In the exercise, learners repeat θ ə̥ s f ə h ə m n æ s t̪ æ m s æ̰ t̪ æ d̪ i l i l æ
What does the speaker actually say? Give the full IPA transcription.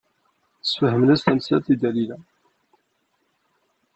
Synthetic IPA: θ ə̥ s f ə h ə m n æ s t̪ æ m s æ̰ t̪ i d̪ æ l i l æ